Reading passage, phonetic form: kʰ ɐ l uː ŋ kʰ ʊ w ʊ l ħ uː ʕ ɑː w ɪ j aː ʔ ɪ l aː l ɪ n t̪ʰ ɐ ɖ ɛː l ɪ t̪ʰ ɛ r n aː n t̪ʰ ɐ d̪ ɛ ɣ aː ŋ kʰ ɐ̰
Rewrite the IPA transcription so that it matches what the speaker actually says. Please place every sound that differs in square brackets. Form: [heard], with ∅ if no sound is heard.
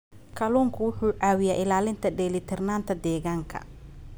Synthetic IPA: kʰ ɐ l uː ŋ kʰ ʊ w ʊ [∅] ħ uː ʕ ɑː w ɪ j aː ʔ ɪ l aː l ɪ n t̪ʰ ɐ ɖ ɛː l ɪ t̪ʰ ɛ r n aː n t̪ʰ ɐ d̪ [ɛː] ɣ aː ŋ kʰ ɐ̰